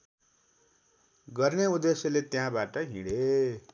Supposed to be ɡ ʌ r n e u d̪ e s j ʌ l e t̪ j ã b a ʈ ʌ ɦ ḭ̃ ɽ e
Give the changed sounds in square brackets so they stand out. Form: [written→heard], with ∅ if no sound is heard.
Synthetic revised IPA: ɡ ʌ r n e u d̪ e s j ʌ l e t̪ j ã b a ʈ ʌ ɦ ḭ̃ ɽ e